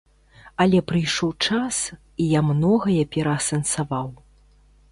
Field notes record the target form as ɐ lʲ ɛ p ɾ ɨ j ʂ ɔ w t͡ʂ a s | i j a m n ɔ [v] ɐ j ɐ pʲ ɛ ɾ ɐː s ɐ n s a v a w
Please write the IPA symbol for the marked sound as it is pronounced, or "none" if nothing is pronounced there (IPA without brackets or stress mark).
ɣ